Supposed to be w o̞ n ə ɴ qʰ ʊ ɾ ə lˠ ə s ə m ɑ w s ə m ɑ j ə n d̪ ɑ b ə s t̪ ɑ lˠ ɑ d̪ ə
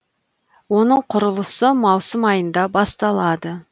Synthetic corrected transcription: w o̞ n ə ɴ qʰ ʊ ɾ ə lˠ ə s ə m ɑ w s ə m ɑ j ə n d̪ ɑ b ɑ s t̪ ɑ lˠ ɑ d̪ ə